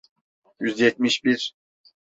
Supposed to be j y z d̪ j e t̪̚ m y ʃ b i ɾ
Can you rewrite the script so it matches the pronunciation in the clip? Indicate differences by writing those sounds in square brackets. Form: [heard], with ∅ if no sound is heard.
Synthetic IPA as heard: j y z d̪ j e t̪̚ m [i] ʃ b i ɾ

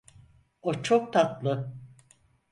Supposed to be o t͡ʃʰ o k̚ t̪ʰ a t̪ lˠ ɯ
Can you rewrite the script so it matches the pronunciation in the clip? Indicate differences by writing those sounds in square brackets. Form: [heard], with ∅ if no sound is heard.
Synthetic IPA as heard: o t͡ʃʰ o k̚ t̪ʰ a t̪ lˠ ɯ

